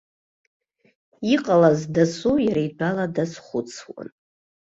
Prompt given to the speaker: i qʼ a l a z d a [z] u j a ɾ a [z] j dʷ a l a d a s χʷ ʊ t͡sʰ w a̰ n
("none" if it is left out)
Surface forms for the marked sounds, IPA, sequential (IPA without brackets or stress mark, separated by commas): s, none